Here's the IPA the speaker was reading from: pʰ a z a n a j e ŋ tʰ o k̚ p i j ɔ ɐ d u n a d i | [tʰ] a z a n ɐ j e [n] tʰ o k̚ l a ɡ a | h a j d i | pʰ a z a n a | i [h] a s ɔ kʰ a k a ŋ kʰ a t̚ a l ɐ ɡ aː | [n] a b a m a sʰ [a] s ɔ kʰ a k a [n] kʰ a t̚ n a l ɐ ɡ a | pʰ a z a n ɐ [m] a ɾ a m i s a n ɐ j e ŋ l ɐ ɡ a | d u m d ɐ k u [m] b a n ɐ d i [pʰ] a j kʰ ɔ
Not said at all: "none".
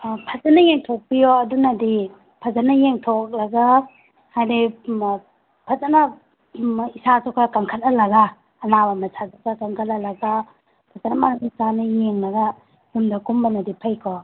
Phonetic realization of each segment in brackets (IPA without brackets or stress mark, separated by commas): pʰ, ŋ, s, n, a, ŋ, m, m, pʰ